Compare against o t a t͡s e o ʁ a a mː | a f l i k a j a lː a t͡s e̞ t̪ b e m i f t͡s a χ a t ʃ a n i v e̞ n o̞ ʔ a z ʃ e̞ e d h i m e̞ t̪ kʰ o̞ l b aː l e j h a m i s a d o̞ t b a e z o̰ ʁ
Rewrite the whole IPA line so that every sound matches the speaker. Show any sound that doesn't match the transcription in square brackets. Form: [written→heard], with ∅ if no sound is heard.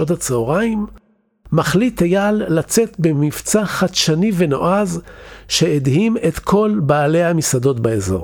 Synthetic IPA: o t a t͡s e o ʁ a [a→i] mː | a [f→χ] l i [k→t] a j a lː a t͡s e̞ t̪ b e m i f t͡s a χ a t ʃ a n i v e̞ n o̞ ʔ a z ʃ e̞ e d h i m e̞ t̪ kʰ o̞ l b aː l e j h a m i s a d o̞ t b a e z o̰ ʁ